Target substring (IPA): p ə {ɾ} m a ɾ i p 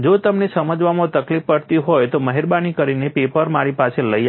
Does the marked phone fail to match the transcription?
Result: no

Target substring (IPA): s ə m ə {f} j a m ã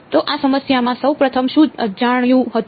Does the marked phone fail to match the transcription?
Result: yes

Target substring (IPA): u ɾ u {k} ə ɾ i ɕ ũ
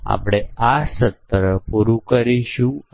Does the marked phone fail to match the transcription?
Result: no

